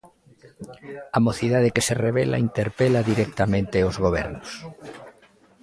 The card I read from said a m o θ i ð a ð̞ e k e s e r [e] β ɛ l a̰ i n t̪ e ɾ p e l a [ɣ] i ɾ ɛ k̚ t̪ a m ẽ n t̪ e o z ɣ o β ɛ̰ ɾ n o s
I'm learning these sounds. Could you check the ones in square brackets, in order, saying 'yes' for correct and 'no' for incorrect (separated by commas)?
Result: yes, no